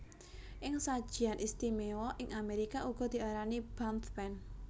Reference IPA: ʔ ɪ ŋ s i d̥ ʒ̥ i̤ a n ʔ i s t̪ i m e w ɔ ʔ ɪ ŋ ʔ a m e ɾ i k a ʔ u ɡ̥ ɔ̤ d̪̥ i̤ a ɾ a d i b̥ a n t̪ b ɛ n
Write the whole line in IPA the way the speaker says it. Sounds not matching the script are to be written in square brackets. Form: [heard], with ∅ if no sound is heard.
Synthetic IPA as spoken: ʔ ɪ ŋ s [a] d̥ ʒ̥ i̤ a n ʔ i s t̪ i m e w ɔ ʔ ɪ ŋ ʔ a m e ɾ i k a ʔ u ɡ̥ ɔ̤ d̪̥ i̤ a ɾ a [n] i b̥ a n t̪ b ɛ n